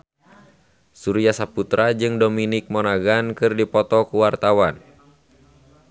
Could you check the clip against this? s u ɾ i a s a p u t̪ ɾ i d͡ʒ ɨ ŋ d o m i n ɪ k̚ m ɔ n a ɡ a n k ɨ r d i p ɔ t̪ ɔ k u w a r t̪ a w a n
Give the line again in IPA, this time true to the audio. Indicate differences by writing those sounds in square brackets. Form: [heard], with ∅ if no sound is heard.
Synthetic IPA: s u ɾ i a s a p u t̪ ɾ [a] d͡ʒ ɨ ŋ d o m i n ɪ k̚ m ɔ n a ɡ a n k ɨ r d i p ɔ t̪ ɔ k u w a r t̪ a w a n